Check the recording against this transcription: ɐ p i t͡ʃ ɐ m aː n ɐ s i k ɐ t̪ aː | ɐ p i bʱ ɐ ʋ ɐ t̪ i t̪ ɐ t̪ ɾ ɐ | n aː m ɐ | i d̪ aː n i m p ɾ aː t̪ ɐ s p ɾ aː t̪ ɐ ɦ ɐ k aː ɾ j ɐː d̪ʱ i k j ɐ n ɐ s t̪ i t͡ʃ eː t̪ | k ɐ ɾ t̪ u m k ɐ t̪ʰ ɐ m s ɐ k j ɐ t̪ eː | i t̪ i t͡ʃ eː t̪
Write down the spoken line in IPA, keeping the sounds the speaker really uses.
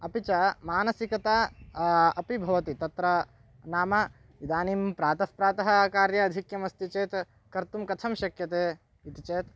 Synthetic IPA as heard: ɐ p i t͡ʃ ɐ m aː n ɐ s i k ɐ t̪ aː | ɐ p i bʱ ɐ ʋ ɐ t̪ i t̪ ɐ t̪ ɾ ɐ | n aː m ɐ | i d̪ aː n i m p ɾ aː t̪ ɐ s p ɾ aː t̪ ɐ ɦ ɐ k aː ɾ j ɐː d̪ʱ i k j ɐ m ɐ s t̪ i t͡ʃ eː t̪ | k ɐ ɾ t̪ u m k ɐ t̪ʰ ɐ m ʃ ɐ k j ɐ t̪ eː | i t̪ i t͡ʃ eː t̪